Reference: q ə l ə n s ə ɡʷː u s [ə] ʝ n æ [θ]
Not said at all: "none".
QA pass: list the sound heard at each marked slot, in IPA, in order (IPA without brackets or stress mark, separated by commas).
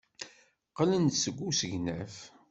ə, f